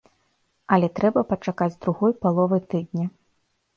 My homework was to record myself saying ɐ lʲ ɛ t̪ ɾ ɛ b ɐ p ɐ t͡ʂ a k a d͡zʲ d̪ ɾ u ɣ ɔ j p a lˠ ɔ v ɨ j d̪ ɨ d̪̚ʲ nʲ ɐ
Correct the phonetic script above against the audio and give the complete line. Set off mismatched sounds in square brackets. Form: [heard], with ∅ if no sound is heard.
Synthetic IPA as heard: ɐ lʲ ɛ t̪ ɾ ɛ b ɐ p ɐ t͡ʂ a k a d͡zʲ d̪ ɾ u ɣ ɔ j p a lˠ ɔ v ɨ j [t̪] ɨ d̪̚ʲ nʲ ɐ